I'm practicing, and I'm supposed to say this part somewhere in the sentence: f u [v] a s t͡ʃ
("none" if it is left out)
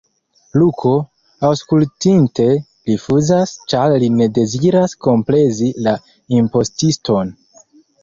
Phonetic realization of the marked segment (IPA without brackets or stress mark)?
z